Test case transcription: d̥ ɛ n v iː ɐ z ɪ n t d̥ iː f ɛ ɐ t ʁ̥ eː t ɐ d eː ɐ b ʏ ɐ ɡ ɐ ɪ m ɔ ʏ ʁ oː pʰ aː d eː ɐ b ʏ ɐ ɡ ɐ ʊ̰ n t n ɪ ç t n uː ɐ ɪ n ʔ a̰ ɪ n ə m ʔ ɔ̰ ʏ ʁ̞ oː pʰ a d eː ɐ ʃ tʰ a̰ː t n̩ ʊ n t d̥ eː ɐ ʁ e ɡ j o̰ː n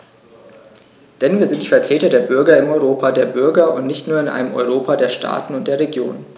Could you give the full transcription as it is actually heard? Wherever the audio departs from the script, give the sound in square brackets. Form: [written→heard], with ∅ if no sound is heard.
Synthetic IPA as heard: d̥ ɛ n v iː ɐ z ɪ n t d̥ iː f ɛ ɐ t ʁ̥ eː t ɐ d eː ɐ b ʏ ɐ ɡ ɐ ɪ m ɔ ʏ ʁ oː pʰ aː d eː ɐ b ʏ ɐ ɡ ɐ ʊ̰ n t n ɪ ç t n uː ɐ ɪ n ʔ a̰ ɪ n ə m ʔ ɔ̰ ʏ ʁ̞ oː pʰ a d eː ɐ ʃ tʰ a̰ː t n̩ ʊ n t d̥ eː ɐ ʁ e ɡ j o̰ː n